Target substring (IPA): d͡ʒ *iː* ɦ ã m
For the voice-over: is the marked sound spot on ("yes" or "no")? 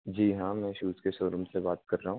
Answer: yes